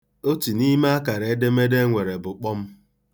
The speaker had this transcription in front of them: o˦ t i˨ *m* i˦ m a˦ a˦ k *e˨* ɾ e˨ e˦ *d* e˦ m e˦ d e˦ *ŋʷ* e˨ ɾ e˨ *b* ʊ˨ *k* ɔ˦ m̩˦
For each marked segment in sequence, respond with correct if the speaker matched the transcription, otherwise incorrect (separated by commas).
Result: incorrect, incorrect, correct, correct, correct, incorrect